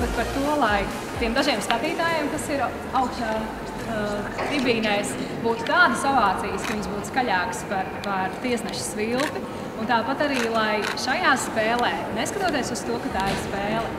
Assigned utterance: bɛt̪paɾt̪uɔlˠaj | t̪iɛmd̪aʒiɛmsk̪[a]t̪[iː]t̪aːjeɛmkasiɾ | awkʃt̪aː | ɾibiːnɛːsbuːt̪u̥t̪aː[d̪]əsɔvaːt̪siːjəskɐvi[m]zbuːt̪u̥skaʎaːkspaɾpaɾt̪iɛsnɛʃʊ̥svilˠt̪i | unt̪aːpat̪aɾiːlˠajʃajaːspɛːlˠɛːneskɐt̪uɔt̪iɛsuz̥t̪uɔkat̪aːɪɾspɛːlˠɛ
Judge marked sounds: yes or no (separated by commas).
yes, yes, yes, no